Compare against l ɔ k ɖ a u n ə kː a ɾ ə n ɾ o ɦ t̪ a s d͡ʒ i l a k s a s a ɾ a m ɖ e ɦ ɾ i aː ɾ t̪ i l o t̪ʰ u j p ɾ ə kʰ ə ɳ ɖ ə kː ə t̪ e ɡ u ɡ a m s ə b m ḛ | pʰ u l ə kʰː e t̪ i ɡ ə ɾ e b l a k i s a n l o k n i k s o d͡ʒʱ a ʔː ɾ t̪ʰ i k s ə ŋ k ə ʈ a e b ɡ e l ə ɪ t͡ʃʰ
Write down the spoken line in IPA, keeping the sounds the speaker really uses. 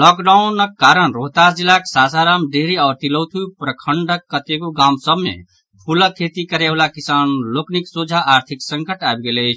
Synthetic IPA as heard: l ɔ k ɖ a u n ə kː a ɾ ə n ɾ o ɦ t̪ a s d͡ʒ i l a k s a s a ɾ a m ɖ e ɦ ɾ i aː ɾ t̪ i l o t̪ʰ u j p ɾ ə kʰ ə ɳ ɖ ə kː ə t̪ e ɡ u ɡ a m s ə b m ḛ | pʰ u l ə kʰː e t̪ i k ə ɾ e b l a k i s a n l o k n i k s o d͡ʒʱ a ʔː ɾ t̪ʰ i k s ə ŋ k ə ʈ a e b ɡ e l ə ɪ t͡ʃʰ